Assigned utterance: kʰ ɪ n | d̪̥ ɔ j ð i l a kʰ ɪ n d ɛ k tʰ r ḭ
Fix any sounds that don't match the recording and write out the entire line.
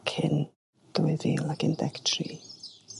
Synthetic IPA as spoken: kʰ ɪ n | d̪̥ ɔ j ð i l a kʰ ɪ n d ɛ k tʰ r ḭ